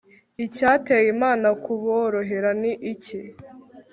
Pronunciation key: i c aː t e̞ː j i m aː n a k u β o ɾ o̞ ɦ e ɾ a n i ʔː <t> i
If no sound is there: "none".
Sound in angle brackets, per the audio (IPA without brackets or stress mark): c